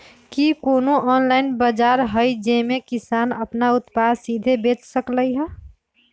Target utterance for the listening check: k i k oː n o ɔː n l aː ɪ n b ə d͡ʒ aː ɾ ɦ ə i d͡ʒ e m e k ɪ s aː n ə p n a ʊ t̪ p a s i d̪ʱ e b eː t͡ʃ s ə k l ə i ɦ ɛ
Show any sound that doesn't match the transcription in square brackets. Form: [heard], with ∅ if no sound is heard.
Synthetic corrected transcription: k i k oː n o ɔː n l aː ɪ n b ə d͡ʒ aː ɾ ɦ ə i d͡ʒ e m e k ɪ s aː n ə p n a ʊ t̪ p a s i d̪ʱ e b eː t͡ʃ s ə k l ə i ɦ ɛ